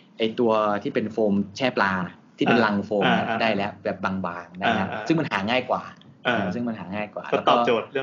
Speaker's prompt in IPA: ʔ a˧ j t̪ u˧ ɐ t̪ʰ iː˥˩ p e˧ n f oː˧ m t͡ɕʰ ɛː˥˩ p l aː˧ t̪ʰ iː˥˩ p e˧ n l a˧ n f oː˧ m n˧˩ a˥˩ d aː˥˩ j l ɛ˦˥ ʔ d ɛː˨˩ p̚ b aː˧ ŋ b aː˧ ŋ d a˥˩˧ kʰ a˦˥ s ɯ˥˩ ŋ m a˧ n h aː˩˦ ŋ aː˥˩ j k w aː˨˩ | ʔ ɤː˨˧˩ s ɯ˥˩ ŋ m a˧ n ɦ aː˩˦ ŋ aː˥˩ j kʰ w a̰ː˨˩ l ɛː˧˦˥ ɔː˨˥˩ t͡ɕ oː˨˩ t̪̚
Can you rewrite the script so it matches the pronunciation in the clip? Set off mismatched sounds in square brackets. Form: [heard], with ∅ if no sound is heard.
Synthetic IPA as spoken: ʔ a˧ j t̪ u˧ ɐ t̪ʰ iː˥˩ p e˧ n f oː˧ m t͡ɕʰ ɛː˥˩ p l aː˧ t̪ʰ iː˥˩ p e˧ n l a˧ [ŋ] f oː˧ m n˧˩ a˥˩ d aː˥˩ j l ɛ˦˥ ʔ [b] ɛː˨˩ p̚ b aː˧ ŋ b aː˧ ŋ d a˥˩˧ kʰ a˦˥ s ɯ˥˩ ŋ m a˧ n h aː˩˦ ŋ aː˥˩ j k w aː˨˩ | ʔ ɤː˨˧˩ s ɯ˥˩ ŋ m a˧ n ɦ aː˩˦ ŋ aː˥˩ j [k] w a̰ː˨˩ l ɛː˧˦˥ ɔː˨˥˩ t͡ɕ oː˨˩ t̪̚